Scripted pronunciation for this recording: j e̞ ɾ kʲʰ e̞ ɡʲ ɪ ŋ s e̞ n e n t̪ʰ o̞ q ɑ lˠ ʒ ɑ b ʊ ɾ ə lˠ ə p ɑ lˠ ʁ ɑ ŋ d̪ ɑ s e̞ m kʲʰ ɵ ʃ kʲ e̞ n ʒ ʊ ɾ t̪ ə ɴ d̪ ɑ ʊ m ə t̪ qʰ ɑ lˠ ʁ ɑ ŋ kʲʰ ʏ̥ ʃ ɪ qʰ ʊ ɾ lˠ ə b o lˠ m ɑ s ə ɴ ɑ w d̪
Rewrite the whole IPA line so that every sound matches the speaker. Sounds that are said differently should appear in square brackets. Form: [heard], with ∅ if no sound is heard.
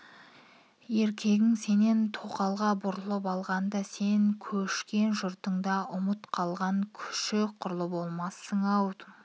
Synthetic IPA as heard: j e̞ ɾ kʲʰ e̞ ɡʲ ɪ ŋ s e̞ n e n t̪ʰ o̞ q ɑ lˠ [ʁ] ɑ b ʊ ɾ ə lˠ ə p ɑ lˠ ʁ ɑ [n] d̪ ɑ s e̞ [ŋ] kʲʰ ɵ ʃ kʲ e̞ n ʒ ʊ ɾ t̪ ə ɴ d̪ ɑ ʊ m ə t̪ qʰ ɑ lˠ ʁ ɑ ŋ kʲʰ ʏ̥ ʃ ɪ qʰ ʊ ɾ lˠ ə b o lˠ m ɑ s ə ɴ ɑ w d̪